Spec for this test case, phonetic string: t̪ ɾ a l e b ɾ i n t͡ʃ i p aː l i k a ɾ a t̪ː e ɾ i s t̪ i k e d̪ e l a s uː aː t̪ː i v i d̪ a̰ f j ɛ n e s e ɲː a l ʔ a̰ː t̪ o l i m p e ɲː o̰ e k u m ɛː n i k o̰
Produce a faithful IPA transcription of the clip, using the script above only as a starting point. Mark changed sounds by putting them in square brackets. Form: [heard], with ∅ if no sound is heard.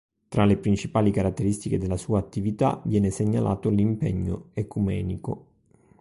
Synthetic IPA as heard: t̪ ɾ a l e [p] ɾ i n t͡ʃ i p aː l i k a ɾ a t̪ː e ɾ i s t̪ i k e d̪ e l a s uː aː t̪ː i v i [t̪] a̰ [v] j [ɛː] n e s e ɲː a l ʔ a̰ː t̪ o l i m p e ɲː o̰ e k u m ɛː n i k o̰

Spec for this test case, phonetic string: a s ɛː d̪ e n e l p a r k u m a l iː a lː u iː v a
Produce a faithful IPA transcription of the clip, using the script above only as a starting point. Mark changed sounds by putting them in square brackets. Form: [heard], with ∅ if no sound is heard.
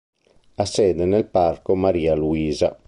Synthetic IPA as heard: a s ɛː d̪ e n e l p a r k [o] m a [ɾ] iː a [l] u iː [z] a

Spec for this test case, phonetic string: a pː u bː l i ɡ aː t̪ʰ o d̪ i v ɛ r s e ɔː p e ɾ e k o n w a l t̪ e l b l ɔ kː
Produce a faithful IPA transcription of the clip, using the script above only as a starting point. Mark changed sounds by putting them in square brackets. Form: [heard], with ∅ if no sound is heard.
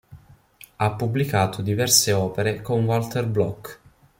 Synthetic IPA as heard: a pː u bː l i [k] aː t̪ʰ o d̪ i v ɛ r s e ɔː p e ɾ e k o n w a l t̪ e [r] b l ɔ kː

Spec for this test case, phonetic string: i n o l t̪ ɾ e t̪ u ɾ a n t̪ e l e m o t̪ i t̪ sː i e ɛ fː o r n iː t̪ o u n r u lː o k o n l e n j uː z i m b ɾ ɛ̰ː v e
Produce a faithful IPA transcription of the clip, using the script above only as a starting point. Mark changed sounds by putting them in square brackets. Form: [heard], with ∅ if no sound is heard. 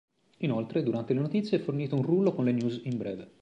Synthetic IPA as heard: i n o l t̪ ɾ e [d̪] u ɾ a n t̪ e l e [n] o t̪ i t̪ sː [j] e ɛ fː o r n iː t̪ o u n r u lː o k o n l e n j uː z i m b ɾ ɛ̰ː v e

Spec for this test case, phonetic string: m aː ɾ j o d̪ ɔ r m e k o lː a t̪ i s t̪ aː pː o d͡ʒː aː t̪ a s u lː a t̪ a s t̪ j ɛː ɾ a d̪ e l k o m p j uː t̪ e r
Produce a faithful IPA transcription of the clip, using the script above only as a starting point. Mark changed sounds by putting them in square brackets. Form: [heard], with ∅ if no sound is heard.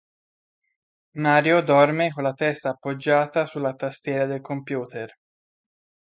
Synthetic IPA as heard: m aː ɾ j o d̪ ɔ r m e k o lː a t̪ [ɛ] s t̪ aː pː o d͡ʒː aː t̪ a s u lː a t̪ a s t̪ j ɛː ɾ a d̪ e l k o m p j uː t̪ e r

